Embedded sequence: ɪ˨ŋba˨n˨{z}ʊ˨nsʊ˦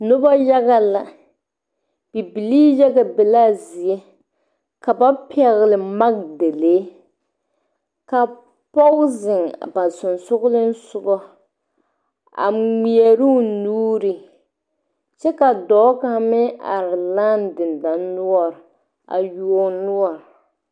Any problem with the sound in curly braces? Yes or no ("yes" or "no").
yes